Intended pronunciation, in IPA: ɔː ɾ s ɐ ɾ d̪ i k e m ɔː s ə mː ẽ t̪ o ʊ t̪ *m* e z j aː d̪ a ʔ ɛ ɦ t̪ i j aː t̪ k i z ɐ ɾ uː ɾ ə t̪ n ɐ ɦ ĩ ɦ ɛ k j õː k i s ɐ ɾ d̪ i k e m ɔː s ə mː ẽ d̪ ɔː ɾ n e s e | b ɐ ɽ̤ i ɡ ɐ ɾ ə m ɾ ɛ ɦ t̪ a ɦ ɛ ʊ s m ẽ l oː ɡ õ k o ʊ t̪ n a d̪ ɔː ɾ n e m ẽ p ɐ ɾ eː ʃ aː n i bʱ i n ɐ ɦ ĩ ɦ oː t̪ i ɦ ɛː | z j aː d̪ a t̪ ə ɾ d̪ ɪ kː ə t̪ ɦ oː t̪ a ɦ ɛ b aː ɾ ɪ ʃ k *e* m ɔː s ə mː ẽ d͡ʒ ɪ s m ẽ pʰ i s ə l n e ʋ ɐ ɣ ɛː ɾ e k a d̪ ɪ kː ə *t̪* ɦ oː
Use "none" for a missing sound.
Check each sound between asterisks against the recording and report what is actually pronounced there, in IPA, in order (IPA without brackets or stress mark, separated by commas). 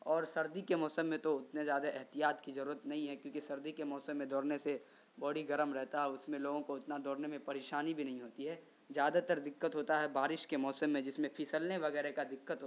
n, e, t̪